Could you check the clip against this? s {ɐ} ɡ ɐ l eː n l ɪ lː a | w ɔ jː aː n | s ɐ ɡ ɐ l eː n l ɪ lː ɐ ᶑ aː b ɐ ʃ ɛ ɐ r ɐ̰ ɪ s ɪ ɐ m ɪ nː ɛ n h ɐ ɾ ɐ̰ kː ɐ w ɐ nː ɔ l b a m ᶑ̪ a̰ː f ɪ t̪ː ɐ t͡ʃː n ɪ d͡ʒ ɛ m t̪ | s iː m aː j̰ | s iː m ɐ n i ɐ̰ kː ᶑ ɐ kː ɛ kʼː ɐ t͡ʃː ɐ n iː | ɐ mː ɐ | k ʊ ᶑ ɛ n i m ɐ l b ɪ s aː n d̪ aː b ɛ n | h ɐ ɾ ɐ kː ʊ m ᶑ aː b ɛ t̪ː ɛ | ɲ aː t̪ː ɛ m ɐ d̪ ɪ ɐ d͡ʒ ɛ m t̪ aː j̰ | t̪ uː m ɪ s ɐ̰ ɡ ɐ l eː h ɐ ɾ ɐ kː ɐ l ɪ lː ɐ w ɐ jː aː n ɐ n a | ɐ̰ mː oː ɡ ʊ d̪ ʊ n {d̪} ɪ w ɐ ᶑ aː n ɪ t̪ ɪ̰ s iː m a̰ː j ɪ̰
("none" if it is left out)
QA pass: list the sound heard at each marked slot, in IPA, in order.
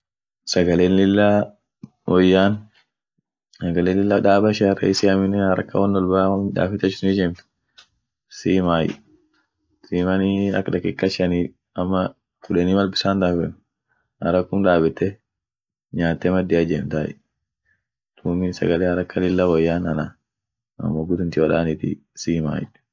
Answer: ɐ, t̪

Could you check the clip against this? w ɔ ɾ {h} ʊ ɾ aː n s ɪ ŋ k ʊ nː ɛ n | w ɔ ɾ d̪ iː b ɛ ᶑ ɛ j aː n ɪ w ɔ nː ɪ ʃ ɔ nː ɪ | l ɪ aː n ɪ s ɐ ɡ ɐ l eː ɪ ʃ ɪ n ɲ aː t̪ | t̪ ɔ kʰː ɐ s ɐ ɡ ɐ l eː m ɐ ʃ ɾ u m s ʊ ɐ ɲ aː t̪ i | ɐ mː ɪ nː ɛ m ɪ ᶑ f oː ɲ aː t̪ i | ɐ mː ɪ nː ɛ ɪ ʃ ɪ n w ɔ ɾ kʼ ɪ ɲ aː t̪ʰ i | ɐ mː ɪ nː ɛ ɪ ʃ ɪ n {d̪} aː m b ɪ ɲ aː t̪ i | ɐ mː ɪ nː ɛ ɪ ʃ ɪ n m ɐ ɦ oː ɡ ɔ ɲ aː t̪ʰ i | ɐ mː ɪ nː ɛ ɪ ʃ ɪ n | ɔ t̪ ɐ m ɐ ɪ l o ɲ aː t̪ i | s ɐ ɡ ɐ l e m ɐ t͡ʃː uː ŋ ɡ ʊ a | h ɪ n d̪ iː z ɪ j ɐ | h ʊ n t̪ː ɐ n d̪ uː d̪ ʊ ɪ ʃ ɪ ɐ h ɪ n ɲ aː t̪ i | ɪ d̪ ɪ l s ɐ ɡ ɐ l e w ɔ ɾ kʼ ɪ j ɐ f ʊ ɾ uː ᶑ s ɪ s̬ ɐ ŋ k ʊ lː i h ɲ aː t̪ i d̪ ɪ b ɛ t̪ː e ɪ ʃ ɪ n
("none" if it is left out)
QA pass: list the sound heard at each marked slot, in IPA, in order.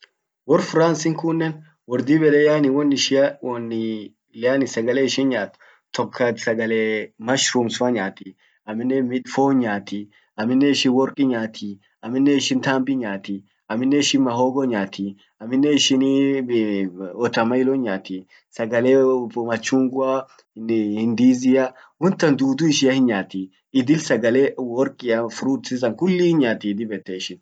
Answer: f, t̪

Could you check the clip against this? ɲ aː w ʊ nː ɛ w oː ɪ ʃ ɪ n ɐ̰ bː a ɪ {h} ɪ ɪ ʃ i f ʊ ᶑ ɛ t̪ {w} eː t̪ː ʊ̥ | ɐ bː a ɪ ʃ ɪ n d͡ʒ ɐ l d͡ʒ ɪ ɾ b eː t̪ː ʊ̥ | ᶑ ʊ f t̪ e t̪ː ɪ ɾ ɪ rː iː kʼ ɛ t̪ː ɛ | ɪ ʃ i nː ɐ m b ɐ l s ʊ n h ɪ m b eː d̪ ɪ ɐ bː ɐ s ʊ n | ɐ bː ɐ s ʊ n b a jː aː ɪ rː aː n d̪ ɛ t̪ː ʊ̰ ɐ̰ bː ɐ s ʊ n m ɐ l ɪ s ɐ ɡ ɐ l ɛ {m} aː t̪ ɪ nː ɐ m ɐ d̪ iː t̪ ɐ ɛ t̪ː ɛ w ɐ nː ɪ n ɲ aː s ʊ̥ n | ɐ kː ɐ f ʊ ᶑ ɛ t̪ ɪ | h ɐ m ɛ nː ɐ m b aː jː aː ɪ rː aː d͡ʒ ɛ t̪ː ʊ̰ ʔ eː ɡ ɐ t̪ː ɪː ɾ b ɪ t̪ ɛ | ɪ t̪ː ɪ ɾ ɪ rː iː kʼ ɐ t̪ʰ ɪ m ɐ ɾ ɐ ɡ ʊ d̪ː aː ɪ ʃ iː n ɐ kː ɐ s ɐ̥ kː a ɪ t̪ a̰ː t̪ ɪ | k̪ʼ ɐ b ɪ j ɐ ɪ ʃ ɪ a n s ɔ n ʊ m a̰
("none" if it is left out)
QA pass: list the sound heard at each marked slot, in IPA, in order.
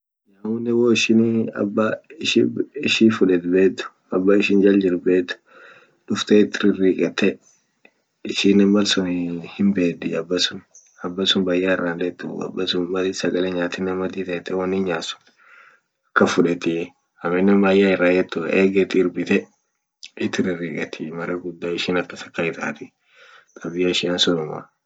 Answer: ʃ, b, ɲ

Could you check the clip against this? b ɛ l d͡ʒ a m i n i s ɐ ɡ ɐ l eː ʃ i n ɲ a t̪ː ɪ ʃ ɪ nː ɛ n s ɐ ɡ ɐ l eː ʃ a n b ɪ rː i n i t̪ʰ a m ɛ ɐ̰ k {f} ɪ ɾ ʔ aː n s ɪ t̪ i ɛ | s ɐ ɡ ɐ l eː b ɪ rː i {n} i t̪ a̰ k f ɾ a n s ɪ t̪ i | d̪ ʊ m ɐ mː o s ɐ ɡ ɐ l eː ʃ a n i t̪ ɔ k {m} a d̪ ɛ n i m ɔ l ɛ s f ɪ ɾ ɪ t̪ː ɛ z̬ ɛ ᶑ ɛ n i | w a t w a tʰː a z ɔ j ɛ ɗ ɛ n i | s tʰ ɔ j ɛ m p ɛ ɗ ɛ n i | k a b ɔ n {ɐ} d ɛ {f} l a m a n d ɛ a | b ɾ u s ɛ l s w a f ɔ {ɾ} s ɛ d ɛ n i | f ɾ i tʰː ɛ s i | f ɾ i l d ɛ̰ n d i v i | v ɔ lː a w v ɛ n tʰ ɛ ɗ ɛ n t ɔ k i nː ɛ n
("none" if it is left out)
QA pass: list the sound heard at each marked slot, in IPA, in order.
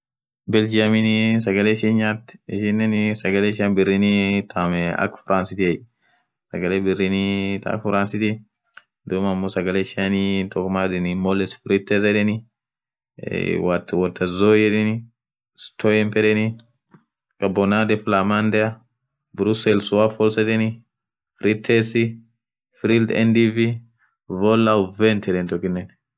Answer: f, n, m, a, f, l

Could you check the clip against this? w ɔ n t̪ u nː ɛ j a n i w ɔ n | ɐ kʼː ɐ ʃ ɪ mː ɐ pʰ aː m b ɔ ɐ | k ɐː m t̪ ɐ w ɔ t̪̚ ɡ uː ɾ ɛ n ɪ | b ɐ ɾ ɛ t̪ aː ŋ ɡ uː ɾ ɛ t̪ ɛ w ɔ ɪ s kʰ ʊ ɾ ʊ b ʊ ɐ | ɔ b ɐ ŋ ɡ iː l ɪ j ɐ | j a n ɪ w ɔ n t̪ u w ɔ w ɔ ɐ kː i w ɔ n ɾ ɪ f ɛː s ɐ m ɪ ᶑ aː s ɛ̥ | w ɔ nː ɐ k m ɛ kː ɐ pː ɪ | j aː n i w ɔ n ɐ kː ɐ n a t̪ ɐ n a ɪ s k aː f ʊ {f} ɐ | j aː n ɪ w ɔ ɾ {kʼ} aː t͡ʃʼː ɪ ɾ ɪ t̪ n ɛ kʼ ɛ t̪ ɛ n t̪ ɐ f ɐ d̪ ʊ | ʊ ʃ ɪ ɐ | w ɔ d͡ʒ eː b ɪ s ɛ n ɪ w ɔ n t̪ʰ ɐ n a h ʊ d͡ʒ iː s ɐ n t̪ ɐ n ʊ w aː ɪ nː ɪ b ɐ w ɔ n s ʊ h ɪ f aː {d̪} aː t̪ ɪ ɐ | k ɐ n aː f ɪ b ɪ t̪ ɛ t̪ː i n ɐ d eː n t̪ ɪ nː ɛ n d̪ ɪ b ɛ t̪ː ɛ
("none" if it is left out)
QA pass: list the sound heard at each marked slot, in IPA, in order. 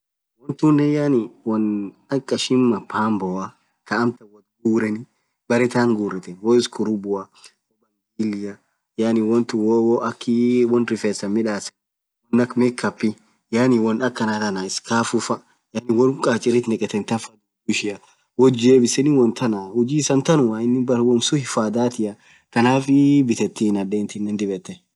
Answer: f, kʼ, d̪

